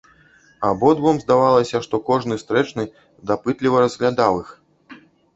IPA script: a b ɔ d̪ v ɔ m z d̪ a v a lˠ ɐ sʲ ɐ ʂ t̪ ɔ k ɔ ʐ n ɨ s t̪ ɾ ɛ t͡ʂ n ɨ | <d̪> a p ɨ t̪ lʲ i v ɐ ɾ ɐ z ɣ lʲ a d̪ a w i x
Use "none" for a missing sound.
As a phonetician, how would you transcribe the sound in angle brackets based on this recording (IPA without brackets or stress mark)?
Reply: d̪